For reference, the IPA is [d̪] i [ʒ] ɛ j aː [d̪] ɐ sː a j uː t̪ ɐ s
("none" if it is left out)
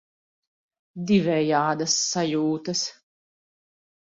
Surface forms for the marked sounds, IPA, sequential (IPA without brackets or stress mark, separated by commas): d̪, v, d̪